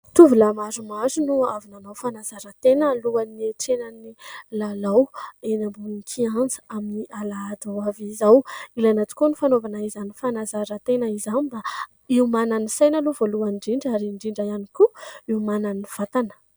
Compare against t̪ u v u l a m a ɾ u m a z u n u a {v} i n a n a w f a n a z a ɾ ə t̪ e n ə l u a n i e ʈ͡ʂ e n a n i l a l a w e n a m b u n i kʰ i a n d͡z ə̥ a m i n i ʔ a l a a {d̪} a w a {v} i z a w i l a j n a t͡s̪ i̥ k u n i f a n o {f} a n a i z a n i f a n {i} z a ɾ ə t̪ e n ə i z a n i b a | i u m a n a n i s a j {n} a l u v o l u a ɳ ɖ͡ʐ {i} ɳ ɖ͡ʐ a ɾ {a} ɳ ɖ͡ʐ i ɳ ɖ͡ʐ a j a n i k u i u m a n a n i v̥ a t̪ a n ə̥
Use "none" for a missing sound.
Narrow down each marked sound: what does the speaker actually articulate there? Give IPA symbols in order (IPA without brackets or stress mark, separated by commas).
v, d̪, v, v, a, n, i, i